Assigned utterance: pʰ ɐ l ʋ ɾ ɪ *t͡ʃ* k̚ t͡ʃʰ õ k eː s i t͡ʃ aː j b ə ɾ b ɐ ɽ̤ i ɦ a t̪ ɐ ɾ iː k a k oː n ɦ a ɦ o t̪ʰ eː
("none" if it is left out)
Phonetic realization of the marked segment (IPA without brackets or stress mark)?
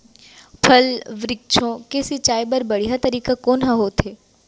none